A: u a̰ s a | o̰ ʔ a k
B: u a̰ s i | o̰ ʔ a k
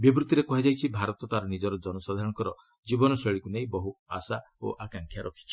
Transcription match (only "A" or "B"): A